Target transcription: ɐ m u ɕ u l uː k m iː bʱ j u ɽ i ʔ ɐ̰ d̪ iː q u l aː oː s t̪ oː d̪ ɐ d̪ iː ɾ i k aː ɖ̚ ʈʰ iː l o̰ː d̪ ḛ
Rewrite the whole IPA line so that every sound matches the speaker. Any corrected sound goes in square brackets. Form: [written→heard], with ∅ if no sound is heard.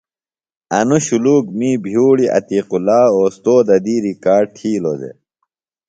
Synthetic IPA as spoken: ɐ [m→n] u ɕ u l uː k m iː bʱ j [u→uː] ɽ i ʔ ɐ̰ [d̪→t̪] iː q u l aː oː s t̪ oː d̪ ɐ d̪ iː ɾ i k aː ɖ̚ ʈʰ iː l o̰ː d̪ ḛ